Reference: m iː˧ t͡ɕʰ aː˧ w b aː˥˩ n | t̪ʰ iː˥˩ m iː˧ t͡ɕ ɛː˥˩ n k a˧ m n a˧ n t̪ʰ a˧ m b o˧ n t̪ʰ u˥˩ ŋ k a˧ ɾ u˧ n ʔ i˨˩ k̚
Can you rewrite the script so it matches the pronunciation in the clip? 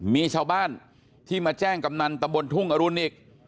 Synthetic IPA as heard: m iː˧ t͡ɕʰ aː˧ w b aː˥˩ n | t̪ʰ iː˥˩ m aː˧ t͡ɕ ɛː˥˩ ŋ k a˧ m n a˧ n t̪ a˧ m b o˧ n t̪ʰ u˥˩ ŋ ʔ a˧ ɾ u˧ n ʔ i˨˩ k̚